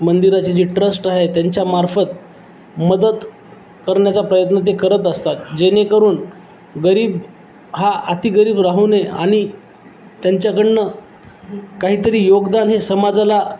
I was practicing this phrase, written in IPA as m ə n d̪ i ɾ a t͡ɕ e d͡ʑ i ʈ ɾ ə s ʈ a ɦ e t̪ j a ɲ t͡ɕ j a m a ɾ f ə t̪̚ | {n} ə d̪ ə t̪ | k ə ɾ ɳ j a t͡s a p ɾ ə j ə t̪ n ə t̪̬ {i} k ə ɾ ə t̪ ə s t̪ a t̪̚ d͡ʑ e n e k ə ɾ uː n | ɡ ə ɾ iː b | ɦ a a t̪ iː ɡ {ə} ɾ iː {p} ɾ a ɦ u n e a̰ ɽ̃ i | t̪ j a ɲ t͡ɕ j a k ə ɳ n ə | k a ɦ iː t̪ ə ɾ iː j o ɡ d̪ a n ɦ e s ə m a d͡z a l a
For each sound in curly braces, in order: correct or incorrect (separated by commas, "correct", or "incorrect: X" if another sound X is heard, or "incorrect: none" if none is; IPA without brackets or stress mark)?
incorrect: m, incorrect: e, correct, incorrect: b